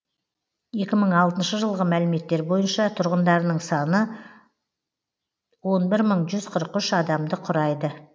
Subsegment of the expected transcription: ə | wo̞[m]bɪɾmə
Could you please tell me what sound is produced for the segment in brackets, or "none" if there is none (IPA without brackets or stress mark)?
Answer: n